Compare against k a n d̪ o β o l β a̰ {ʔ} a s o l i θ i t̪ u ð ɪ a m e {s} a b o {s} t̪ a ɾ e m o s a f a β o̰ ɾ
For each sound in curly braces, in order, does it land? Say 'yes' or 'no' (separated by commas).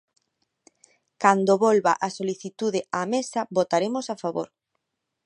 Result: yes, yes, no